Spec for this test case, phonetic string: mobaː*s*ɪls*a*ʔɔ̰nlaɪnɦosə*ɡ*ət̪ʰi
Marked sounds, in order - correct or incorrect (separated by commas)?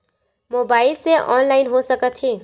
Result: incorrect, incorrect, incorrect